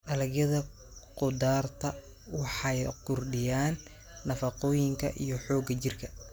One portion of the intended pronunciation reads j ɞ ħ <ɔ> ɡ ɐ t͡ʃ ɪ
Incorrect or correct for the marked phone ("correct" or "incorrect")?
incorrect